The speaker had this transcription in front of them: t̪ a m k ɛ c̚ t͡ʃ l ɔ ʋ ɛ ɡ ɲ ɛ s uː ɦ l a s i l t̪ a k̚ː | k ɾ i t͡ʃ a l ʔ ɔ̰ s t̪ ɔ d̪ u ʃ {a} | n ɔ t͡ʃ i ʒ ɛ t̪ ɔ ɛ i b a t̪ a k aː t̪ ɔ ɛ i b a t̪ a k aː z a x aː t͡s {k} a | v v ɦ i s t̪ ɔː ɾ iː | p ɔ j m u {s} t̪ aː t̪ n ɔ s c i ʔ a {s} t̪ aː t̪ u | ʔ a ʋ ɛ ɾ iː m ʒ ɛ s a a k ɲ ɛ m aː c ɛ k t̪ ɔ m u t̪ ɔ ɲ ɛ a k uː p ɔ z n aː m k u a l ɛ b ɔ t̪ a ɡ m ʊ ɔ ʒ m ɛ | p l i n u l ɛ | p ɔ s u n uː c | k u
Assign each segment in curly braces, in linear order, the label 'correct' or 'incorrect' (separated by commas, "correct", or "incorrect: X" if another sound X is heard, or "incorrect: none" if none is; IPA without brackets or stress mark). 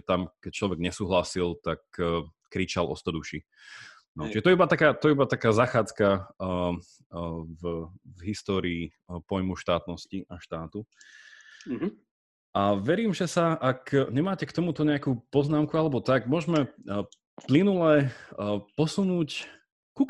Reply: incorrect: i, correct, incorrect: ʃ, incorrect: ʃ